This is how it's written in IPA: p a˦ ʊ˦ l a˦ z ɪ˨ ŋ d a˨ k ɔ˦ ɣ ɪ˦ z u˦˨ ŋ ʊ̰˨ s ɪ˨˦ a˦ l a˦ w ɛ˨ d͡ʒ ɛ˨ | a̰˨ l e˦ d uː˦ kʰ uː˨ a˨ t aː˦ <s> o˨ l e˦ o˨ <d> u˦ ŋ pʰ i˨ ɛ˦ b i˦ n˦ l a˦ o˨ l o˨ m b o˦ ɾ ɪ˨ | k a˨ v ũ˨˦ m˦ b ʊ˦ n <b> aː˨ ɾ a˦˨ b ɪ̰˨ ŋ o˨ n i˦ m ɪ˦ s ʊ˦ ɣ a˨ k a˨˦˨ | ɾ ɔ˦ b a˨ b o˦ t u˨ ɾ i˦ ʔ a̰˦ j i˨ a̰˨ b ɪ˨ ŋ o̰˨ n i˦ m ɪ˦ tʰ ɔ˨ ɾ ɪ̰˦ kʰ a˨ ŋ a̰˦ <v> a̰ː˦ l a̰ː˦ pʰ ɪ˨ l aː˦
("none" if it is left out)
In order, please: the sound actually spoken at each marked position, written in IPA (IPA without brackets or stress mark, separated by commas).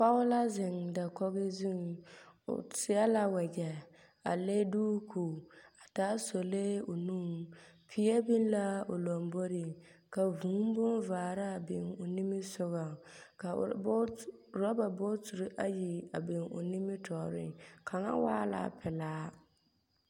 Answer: s, n, v, w